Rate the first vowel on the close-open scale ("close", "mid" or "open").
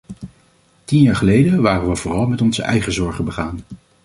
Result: close